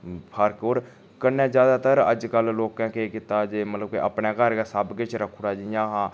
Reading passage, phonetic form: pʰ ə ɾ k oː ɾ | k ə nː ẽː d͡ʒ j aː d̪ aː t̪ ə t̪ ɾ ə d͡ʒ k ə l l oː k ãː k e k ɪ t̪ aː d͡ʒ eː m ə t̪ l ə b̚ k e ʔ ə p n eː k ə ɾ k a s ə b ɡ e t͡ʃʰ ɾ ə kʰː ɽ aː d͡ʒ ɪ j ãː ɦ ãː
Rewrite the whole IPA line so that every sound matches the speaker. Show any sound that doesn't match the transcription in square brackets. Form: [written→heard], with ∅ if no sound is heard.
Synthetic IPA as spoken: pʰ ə ɾ k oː ɾ | k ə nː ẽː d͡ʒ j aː d̪ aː t̪ ə [t̪→∅] ɾ ə d͡ʒ k ə l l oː k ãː k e k ɪ t̪ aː d͡ʒ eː m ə t̪ l ə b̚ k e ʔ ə p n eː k ə ɾ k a s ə b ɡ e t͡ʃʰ ɾ ə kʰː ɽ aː d͡ʒ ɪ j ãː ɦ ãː